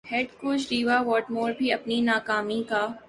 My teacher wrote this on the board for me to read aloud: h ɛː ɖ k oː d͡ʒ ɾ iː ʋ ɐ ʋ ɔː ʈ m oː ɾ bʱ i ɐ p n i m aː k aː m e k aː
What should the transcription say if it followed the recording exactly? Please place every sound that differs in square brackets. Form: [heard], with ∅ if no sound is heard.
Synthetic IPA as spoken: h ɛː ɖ k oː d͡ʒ ɾ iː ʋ [a] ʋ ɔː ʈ m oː ɾ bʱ i ɐ p n i [n] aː k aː m [i] k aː